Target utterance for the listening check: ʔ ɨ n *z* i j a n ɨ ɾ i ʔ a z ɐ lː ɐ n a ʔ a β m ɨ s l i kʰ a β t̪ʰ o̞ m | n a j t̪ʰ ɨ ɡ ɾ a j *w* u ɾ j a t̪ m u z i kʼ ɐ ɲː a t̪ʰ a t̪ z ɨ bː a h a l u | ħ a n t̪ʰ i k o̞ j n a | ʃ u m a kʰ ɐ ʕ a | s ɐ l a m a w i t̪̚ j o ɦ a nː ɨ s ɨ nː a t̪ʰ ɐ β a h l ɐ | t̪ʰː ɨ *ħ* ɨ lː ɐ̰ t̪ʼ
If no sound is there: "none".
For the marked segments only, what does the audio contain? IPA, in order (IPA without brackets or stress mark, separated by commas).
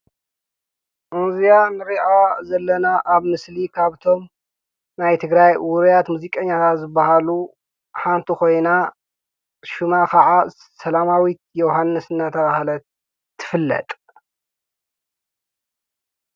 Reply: z, w, f